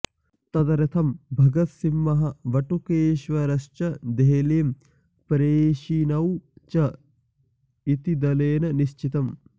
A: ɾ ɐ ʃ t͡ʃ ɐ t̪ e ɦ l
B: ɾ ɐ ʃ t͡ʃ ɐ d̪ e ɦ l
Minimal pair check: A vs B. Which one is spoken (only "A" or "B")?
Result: B